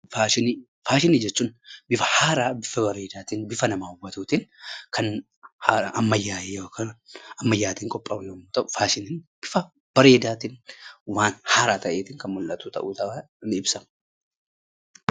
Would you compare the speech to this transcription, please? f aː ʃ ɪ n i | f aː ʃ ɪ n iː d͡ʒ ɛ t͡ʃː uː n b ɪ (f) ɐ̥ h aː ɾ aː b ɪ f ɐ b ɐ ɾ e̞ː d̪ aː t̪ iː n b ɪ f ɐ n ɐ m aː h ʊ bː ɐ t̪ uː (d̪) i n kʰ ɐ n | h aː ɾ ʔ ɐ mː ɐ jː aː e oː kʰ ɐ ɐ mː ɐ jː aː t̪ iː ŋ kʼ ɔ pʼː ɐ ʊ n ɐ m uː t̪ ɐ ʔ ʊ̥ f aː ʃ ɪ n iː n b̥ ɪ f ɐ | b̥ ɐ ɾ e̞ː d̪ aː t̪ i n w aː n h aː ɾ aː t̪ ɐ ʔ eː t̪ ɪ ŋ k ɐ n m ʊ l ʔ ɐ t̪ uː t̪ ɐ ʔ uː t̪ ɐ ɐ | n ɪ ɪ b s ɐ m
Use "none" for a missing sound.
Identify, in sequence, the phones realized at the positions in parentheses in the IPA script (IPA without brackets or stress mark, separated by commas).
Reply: f, t̪